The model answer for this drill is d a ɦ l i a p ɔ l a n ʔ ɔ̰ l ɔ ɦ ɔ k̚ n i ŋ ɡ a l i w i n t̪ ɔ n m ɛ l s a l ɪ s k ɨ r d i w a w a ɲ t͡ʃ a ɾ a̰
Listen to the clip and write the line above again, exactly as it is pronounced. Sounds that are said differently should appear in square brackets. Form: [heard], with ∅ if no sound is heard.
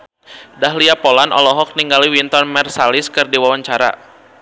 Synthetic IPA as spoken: d a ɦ l i a p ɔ l a n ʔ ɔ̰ l ɔ ɦ ɔ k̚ n i ŋ ɡ a l i w i n t̪ ɔ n m ɛ [r] s a l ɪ s k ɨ r d i w a w a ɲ t͡ʃ a ɾ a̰